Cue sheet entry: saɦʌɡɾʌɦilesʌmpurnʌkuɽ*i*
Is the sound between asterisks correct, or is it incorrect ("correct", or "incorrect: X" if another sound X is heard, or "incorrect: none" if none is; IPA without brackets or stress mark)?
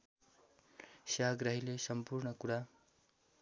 incorrect: a